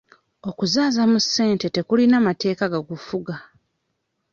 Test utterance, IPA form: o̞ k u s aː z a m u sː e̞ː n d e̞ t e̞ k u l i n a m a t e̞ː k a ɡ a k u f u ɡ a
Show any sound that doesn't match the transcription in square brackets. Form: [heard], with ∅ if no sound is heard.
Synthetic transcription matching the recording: o̞ k u [z] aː z a m u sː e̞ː n [t] e̞ t e̞ k u l i n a m a t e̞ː k a ɡ a [ɡ] u f u ɡ a